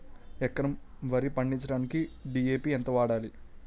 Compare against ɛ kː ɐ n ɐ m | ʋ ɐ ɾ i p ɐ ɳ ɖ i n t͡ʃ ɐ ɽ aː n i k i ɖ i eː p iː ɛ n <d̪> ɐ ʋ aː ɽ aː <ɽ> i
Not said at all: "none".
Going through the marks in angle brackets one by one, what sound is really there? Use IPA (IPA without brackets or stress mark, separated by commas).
t̪, l